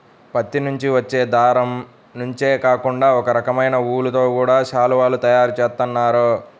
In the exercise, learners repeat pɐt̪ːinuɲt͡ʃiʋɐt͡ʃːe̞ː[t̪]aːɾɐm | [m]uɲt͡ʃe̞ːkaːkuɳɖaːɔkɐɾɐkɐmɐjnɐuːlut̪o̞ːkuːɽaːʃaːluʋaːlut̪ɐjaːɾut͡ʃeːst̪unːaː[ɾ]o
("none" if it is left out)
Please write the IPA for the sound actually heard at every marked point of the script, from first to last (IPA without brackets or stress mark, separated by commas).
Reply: d̪, n, ɾ